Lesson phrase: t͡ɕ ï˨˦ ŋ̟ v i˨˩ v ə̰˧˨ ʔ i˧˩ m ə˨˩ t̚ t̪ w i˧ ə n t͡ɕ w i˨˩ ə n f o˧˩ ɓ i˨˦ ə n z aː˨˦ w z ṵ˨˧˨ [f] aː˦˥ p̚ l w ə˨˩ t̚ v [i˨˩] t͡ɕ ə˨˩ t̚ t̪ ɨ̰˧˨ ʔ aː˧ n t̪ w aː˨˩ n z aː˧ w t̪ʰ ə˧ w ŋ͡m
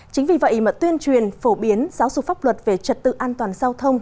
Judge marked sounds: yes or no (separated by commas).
yes, no